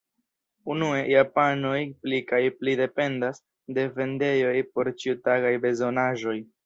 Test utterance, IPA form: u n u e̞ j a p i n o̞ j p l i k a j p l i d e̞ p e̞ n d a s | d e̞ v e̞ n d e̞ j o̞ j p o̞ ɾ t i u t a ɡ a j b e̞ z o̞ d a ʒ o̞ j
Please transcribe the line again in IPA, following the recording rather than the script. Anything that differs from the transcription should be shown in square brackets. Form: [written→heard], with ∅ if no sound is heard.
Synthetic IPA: u n u e̞ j a p [i→a] n o̞ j p l i k a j p l i d e̞ p e̞ n d a s | d e̞ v e̞ n d e̞ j o̞ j p o̞ ɾ [t→t͡ʃ] i u t a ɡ a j b e̞ z o̞ [d→n] a ʒ o̞ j